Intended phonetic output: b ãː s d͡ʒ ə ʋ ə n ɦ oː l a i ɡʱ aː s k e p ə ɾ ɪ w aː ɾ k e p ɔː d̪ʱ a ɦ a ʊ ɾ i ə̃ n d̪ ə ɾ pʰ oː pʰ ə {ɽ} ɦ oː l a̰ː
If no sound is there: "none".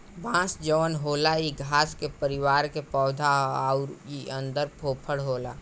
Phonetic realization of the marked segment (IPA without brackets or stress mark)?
ɽ